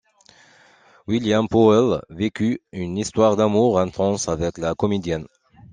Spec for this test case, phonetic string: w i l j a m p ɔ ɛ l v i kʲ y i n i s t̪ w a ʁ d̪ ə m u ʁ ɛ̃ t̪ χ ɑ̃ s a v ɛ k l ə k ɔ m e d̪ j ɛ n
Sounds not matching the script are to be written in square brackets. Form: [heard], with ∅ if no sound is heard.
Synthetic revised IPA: w i l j a m p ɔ ɛ l v [e] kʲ y [y] n i s t̪ w a ʁ d̪ [a] m u ʁ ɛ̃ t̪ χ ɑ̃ s a v ɛ k l [a] k ɔ m e d̪ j ɛ n